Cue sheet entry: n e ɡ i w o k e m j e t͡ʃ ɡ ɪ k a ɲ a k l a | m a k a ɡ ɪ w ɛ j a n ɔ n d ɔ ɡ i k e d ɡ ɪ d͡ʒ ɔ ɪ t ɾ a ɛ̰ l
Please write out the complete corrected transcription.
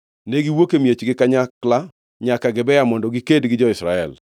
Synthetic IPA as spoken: n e ɡ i w o k e m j e t͡ʃ ɡ ɪ k a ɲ a k l a | ɲ a k a ɡ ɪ b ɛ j a m ɔ n d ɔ ɡ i k e d ɡ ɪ d͡ʒ ɔ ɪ s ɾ a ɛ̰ l